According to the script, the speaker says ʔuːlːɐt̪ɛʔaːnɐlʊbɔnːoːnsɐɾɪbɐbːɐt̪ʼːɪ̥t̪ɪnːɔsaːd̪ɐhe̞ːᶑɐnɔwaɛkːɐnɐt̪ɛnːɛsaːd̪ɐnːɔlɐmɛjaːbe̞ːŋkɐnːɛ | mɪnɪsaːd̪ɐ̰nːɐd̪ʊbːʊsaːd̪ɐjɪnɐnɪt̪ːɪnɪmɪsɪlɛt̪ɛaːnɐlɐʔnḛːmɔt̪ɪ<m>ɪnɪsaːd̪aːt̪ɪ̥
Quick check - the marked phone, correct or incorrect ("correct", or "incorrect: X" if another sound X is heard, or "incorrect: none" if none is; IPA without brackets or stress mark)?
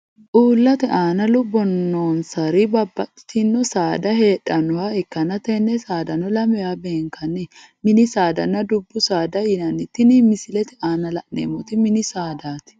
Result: correct